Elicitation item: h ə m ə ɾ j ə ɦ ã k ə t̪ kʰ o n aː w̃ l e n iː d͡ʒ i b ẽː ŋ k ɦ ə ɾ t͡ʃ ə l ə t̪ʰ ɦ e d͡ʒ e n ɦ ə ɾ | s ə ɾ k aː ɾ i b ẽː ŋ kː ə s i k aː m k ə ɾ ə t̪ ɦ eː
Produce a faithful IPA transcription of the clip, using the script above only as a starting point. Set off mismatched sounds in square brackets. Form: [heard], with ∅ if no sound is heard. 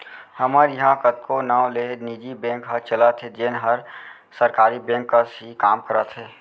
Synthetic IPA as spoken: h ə m ə ɾ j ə ɦ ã k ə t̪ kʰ o n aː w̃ l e n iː d͡ʒ i b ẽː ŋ k ɦ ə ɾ t͡ʃ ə l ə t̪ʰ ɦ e d͡ʒ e n ɦ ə ɾ | s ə ɾ k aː ɾ i b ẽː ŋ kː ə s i k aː m k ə ɾ ə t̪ ɦ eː